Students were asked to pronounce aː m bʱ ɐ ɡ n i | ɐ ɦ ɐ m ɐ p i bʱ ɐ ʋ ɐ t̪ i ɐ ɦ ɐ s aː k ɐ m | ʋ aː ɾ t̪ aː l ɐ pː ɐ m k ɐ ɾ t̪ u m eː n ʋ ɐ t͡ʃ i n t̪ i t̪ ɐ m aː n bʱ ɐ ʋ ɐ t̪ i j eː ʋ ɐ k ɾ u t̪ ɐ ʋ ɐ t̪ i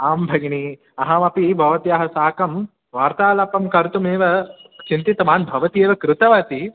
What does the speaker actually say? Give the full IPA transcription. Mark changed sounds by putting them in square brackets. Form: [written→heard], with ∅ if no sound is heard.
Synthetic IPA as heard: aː m bʱ ɐ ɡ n i | ɐ ɦ ɐ m ɐ p i bʱ ɐ ʋ ɐ t̪ i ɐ ɦ ɐ s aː k ɐ m | ʋ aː ɾ t̪ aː l ɐ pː ɐ m k ɐ ɾ t̪ u m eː [n→∅] ʋ ɐ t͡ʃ i n t̪ i t̪ ɐ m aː n bʱ ɐ ʋ ɐ t̪ i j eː ʋ ɐ k ɾ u t̪ ɐ ʋ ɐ t̪ i